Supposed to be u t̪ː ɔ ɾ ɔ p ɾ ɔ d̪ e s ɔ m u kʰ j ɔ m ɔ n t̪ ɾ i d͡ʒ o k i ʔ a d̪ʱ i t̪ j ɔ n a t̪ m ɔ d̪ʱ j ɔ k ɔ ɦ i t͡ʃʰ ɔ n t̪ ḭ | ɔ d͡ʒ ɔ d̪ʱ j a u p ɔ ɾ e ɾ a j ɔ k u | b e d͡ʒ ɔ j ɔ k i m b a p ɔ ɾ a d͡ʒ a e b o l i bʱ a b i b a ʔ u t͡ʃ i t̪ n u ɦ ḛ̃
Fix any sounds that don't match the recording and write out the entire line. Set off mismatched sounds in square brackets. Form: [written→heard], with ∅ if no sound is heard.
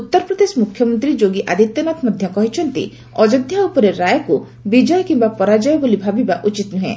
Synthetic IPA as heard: u t̪ː ɔ ɾ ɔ p ɾ ɔ d̪ e s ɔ m u kʰ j ɔ m ɔ n t̪ ɾ i d͡ʒ o [k→ɡ] i ʔ a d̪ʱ i t̪ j ɔ n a t̪ m ɔ d̪ʱ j ɔ k ɔ ɦ i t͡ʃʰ ɔ n t̪ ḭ | ɔ d͡ʒ ɔ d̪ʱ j a u p ɔ ɾ e ɾ a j ɔ k u | b [e→i] d͡ʒ ɔ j ɔ k i m b a p ɔ ɾ a d͡ʒ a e b o l i bʱ a b i b a ʔ u t͡ʃ i t̪ n u ɦ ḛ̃